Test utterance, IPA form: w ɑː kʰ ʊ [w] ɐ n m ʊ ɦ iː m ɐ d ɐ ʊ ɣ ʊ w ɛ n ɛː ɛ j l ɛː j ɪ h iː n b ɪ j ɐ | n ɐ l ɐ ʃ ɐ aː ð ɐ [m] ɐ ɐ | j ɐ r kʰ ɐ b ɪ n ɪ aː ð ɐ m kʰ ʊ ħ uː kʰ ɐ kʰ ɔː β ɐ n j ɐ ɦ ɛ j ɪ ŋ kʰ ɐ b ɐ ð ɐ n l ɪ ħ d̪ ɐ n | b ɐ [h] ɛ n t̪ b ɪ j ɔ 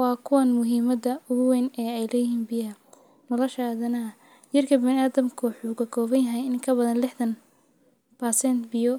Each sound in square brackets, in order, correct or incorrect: correct, incorrect, incorrect

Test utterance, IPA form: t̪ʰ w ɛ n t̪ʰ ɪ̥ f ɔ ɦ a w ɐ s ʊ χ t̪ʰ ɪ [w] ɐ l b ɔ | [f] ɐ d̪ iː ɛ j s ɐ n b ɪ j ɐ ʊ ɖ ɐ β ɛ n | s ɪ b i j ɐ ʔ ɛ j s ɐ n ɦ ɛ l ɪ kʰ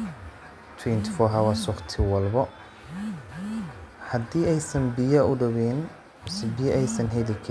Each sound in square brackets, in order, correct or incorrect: correct, incorrect

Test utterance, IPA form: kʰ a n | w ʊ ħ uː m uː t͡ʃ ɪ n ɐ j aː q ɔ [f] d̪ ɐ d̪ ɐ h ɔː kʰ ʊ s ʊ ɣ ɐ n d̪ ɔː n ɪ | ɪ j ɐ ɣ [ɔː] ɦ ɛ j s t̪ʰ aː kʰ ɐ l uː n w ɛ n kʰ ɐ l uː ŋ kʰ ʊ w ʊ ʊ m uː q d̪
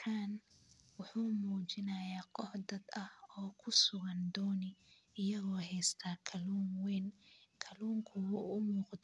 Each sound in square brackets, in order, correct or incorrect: incorrect, correct

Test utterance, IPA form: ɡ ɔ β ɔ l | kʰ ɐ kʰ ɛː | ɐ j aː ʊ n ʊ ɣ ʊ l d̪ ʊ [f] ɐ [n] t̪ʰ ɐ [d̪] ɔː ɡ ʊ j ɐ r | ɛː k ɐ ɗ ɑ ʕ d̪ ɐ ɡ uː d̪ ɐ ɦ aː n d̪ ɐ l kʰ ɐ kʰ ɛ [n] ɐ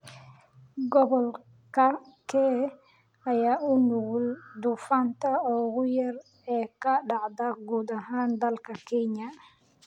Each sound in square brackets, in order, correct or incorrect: correct, correct, incorrect, incorrect

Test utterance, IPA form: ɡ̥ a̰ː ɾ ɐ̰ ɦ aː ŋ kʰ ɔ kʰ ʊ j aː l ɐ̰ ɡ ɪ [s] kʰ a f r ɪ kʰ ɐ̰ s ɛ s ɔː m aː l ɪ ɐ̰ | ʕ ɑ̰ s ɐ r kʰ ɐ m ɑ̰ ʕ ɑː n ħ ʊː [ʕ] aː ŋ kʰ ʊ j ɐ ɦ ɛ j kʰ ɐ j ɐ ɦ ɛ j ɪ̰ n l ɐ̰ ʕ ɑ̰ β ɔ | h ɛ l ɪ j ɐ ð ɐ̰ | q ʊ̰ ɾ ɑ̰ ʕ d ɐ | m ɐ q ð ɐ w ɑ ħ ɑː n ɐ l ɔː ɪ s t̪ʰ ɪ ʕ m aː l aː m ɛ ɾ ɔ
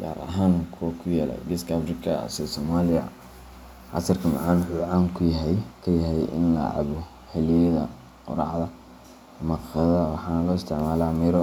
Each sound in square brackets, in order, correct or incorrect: correct, correct

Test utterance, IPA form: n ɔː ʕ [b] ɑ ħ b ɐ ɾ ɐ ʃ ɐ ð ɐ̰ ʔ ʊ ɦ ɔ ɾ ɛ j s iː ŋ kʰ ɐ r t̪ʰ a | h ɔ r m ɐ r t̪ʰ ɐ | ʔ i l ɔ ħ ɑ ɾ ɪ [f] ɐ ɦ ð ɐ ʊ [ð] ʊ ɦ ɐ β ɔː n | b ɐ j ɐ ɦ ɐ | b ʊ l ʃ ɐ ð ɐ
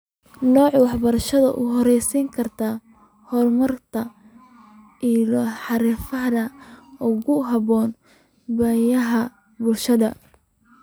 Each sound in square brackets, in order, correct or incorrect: incorrect, correct, incorrect

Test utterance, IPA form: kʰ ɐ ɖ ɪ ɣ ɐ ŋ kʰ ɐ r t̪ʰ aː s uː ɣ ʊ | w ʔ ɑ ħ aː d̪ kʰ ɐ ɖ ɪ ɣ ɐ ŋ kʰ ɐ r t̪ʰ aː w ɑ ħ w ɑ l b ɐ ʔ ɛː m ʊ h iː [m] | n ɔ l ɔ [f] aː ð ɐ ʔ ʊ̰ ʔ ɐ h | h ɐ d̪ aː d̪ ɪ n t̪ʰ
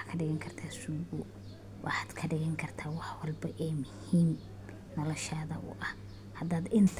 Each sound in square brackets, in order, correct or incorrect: correct, incorrect

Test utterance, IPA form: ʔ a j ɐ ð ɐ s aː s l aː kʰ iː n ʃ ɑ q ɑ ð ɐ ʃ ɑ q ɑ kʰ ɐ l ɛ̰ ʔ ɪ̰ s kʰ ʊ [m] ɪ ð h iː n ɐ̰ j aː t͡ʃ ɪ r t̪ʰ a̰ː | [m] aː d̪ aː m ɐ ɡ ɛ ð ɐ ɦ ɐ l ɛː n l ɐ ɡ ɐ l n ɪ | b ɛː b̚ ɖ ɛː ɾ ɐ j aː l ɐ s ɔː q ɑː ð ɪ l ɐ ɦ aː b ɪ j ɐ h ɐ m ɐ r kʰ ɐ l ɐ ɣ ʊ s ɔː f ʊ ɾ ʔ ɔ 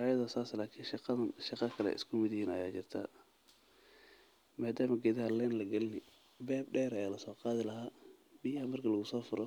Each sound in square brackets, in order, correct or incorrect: correct, correct

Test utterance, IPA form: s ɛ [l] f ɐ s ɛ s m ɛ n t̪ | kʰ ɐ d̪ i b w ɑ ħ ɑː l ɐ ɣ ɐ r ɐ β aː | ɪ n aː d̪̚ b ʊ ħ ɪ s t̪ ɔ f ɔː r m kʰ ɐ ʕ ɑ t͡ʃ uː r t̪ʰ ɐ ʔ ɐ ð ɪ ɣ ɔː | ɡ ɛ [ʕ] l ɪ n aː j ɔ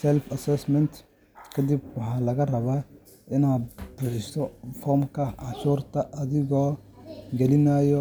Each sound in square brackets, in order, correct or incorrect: correct, incorrect

